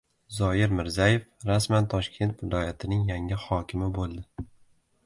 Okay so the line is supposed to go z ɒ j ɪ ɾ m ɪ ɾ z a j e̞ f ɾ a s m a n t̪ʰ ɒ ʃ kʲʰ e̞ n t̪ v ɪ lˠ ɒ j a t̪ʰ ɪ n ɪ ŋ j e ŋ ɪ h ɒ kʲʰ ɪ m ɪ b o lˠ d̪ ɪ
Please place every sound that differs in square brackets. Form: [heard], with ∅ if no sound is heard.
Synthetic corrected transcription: z ɒ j ɪ ɾ m ɪ ɾ z a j e̞ f ɾ a s m a n t̪ʰ ɒ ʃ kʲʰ e̞ n t̪ v ɪ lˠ ɒ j a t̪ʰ ɪ n ɪ ŋ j [a] ŋ ɪ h ɒ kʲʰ ɪ m ɪ b o lˠ d̪ ɪ